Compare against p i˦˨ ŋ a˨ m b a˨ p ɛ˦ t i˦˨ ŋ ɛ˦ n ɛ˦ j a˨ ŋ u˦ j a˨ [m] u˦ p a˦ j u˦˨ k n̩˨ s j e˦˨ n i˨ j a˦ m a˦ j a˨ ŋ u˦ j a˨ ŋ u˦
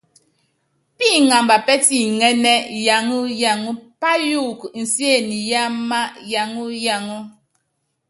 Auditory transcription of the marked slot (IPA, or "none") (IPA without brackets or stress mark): ŋ